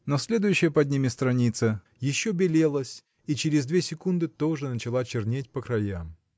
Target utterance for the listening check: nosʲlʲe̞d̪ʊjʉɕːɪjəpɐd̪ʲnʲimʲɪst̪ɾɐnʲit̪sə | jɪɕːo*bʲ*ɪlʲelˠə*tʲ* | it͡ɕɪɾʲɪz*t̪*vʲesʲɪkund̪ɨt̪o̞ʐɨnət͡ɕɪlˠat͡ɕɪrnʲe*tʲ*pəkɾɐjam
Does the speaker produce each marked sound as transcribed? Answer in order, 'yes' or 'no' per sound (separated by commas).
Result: yes, no, no, yes